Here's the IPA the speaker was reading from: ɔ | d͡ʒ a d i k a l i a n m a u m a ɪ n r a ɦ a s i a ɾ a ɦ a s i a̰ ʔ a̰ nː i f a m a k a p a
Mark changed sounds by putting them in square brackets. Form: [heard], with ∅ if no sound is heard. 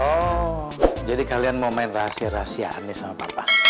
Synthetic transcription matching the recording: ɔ | d͡ʒ a d i k a l i a n m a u m a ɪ n r a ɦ a s i a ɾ a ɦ a s i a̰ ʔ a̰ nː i [s] a m a [p] a p a